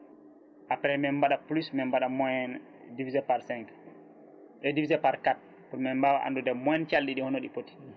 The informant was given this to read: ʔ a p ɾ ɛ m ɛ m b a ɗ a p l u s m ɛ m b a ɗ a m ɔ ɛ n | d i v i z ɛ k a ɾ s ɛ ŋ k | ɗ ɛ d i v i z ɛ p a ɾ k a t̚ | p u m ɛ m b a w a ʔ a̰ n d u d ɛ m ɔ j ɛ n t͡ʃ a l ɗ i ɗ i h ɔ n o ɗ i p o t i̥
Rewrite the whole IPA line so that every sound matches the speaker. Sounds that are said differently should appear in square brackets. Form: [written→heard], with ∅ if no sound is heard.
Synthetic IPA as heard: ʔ a p ɾ ɛ m ɛ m b a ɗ a p l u s m ɛ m b a ɗ a m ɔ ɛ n | d i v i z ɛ [k→p] a ɾ s ɛ ŋ k | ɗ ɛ d i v i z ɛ p a ɾ k a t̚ | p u m ɛ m b a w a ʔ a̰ n d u d ɛ m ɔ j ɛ n t͡ʃ a l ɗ i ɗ i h ɔ n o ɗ i p o t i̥